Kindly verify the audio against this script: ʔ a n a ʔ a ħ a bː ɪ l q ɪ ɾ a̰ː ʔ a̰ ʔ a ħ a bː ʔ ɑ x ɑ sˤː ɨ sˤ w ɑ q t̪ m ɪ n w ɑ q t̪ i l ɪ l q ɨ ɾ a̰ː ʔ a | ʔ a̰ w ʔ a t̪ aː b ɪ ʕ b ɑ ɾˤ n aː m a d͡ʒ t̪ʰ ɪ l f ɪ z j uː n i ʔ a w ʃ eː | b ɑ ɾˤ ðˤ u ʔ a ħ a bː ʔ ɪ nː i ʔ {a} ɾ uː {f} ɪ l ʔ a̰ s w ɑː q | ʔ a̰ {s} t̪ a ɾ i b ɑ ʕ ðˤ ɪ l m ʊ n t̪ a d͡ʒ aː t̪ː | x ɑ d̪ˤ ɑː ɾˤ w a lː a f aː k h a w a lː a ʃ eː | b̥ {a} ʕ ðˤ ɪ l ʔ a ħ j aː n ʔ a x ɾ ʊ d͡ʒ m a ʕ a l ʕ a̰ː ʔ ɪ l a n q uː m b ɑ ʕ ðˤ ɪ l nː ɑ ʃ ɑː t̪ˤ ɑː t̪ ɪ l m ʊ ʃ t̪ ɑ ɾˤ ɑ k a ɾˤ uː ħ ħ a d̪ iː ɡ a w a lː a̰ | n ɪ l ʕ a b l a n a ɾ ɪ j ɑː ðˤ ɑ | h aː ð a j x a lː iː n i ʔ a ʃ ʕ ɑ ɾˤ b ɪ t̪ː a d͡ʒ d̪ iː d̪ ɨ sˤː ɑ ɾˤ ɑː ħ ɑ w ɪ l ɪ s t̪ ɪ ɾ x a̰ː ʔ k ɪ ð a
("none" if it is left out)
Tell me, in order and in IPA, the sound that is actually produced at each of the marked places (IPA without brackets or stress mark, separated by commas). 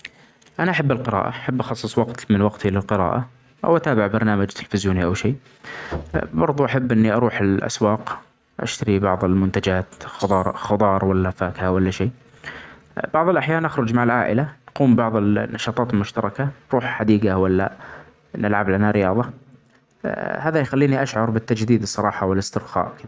ɑ, ħ, ʃ, ɑ